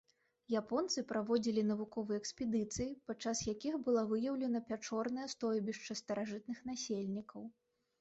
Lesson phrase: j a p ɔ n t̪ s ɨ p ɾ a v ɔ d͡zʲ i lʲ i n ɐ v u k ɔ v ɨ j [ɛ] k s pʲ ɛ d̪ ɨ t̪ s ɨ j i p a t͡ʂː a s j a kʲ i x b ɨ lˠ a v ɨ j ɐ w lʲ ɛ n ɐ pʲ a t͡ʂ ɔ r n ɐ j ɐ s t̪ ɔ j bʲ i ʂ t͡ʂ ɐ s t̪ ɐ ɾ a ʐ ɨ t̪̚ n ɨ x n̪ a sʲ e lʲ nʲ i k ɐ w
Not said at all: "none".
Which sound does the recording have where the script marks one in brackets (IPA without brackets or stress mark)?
ɛ